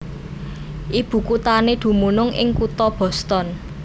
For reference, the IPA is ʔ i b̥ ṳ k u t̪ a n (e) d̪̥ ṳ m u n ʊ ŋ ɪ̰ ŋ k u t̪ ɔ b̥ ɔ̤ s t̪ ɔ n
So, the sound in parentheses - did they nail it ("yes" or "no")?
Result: yes